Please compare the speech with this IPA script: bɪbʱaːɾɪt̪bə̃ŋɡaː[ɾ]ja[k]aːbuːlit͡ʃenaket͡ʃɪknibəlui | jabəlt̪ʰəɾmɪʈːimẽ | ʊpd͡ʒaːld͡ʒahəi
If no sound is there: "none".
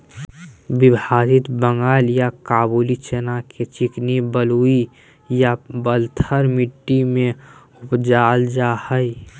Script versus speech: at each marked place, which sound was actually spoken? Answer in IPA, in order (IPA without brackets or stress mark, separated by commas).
l, k